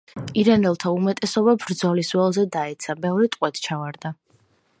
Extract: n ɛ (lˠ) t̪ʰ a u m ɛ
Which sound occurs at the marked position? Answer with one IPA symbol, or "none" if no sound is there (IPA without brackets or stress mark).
lˠ